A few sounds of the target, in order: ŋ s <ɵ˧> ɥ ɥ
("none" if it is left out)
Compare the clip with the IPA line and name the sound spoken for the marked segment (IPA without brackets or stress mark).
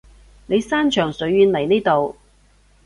ɵ˨˥